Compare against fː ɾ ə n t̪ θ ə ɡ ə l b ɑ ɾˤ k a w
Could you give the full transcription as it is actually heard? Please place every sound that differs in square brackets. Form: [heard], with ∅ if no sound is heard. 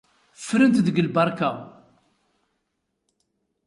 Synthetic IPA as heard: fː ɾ ə n t̪ [ð] ə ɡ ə l b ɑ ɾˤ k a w